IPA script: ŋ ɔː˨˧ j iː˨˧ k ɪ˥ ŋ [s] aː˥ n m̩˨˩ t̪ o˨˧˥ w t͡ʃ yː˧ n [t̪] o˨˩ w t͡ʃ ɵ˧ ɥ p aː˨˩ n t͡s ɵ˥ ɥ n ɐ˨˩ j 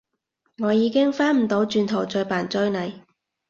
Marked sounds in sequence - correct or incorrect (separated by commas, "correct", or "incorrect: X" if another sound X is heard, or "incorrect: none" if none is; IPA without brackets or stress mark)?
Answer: incorrect: f, incorrect: t̪ʰ